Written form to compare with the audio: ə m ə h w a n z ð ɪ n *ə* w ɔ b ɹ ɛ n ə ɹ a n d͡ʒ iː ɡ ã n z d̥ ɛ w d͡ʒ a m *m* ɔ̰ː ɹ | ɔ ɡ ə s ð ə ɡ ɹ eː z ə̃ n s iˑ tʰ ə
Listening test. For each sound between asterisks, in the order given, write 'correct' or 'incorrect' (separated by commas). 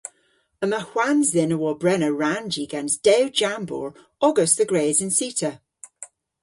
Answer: correct, incorrect